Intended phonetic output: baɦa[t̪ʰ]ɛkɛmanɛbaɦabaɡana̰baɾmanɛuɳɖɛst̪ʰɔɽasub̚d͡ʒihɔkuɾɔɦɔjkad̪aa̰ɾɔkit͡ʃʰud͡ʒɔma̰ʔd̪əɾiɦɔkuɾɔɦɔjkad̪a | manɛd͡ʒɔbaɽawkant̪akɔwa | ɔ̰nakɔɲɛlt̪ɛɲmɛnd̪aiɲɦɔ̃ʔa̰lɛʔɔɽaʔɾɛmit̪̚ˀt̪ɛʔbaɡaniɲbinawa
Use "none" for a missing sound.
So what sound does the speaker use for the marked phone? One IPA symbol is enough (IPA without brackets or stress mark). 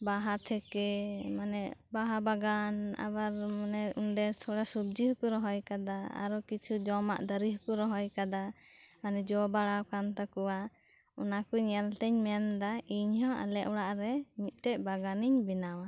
t̪ʰ